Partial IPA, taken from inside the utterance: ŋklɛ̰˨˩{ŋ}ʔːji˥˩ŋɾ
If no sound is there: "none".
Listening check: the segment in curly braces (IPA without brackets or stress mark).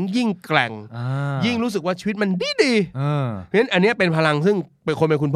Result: ŋ